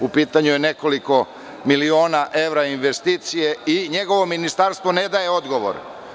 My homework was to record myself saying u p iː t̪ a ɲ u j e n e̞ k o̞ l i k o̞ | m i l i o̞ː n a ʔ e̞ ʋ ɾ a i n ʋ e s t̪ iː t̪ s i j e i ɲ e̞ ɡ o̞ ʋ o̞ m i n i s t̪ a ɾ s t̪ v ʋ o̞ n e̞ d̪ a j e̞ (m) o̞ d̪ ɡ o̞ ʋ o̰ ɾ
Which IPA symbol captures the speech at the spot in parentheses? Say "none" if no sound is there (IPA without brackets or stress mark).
none